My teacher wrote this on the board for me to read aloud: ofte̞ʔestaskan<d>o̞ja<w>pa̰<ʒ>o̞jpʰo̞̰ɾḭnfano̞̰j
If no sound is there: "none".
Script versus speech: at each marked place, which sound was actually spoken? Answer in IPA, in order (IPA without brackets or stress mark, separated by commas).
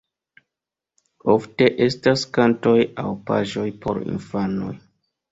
t, w, ʒ